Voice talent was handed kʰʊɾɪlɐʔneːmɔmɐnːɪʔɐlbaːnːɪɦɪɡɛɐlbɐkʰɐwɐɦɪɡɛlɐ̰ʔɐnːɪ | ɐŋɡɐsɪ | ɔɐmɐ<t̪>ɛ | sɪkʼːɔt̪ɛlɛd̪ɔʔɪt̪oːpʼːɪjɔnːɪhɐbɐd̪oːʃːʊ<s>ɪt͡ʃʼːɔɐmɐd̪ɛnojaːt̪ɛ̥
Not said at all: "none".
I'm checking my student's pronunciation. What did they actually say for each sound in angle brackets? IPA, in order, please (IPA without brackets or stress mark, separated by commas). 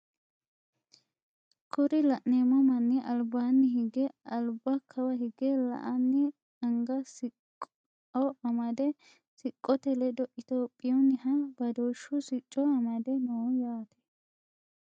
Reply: d̪, s